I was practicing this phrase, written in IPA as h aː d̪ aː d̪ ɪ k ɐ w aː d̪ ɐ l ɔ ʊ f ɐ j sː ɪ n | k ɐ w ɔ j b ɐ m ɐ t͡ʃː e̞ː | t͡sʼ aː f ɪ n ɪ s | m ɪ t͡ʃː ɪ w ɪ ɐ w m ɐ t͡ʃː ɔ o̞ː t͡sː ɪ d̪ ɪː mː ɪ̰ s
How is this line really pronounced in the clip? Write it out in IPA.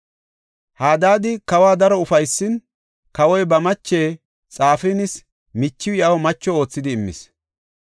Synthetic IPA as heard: h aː d̪ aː d̪ ɪ k ɐ w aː d̪ ɐ ɾ ɔ ʊ f ɐ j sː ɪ n | k ɐ w ɔ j b ɐ m ɐ t͡ʃː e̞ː | t͡sʼ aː f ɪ n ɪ s | m ɪ t͡ʃː ɪ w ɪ ɐ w m ɐ t͡ʃː ɔ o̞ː t͡sː ɪ d̪ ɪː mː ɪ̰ s

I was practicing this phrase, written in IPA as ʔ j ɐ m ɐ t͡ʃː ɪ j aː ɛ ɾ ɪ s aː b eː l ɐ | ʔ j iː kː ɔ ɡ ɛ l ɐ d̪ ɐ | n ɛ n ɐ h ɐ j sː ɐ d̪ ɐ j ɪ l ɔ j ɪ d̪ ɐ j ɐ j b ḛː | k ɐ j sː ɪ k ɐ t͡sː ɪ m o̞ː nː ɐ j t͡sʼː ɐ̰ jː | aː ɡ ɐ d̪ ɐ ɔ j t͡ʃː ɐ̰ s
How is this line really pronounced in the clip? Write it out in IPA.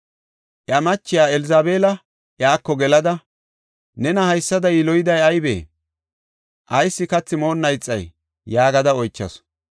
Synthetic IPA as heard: ʔ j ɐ m ɐ t͡ʃː ɪ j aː ɛ l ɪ z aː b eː l ɐ | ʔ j aː kː ɔ ɡ ɛ l ɐ d̪ ɐ | n ɛ n ɐ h ɐ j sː ɐ d̪ ɐ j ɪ l ɔ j ɪ d̪ ɐ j ɐ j b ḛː | ʔ ɐ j sː ɪ k ɐ t͡sː ɪ m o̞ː nː ɐ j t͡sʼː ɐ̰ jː | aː ɡ ɐ d̪ ɐ ɔ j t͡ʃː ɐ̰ s

